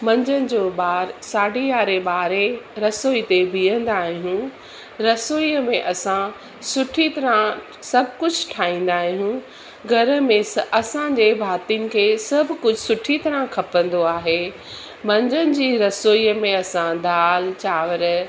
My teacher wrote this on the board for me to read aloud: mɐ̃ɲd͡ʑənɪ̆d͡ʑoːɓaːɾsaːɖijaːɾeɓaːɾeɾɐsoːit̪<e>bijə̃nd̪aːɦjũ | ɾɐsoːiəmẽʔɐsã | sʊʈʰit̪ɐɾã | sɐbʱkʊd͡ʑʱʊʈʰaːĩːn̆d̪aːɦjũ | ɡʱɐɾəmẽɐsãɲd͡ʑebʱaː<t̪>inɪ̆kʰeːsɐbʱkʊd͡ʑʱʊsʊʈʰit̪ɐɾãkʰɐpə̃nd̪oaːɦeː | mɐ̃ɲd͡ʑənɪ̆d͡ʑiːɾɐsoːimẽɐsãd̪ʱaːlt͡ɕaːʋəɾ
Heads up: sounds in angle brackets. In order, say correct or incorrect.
correct, correct

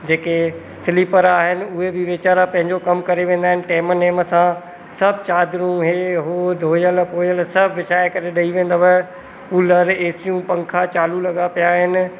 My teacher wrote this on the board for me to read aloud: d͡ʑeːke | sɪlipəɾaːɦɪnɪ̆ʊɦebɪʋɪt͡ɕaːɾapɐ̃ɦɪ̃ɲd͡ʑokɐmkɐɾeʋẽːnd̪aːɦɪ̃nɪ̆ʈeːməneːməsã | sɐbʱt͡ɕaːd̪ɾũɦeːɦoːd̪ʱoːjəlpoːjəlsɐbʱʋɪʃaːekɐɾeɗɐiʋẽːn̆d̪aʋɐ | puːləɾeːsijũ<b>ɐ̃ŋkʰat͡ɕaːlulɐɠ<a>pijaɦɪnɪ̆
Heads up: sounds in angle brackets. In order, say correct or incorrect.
incorrect, correct

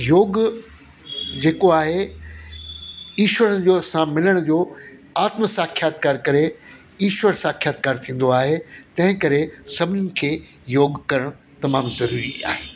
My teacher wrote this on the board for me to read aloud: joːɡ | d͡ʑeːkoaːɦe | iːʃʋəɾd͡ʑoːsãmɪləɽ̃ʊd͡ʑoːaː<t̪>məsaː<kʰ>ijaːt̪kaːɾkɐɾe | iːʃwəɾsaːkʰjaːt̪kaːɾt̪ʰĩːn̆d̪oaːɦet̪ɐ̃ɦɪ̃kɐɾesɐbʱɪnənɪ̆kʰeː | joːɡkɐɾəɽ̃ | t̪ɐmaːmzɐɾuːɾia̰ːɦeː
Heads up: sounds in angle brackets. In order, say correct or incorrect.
correct, correct

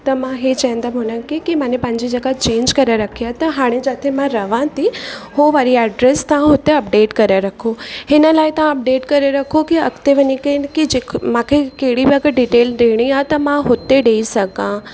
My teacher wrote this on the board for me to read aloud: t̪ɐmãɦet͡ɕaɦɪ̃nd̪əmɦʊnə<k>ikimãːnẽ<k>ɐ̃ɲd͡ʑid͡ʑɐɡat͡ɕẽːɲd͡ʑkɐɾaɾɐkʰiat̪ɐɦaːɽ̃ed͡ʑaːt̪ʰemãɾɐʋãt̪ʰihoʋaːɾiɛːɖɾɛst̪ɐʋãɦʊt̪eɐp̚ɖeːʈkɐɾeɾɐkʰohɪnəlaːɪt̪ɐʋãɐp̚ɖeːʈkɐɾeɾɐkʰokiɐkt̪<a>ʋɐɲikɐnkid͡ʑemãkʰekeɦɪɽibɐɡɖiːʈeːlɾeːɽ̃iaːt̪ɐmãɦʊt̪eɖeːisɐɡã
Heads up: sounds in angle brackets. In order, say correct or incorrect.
correct, incorrect, incorrect

